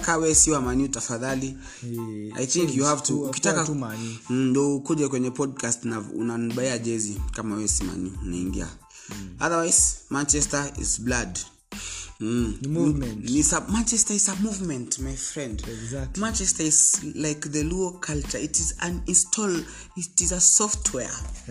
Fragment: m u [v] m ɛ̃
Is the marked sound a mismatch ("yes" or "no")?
no